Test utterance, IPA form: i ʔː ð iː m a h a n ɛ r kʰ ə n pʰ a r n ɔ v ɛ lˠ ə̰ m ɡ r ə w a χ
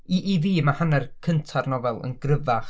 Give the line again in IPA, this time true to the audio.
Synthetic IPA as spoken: i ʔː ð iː m a h a n ɛ r kʰ ə n tʰ a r n ɔ v ɛ lˠ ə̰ n ɡ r ə v a χ